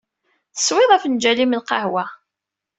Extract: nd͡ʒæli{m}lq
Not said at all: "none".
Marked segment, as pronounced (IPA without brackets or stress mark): m